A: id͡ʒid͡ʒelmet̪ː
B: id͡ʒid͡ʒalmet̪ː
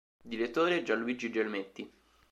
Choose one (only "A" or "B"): A